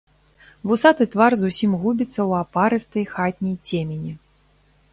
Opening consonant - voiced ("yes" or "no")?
yes